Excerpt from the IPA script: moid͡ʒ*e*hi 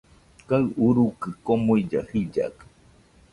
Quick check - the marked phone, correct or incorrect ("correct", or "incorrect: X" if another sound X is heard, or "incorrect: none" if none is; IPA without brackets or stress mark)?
incorrect: a